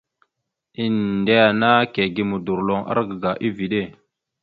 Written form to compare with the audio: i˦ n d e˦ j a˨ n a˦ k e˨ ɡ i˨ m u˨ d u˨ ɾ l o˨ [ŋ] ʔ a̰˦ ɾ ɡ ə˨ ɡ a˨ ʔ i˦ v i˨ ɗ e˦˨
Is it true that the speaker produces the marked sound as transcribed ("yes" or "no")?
yes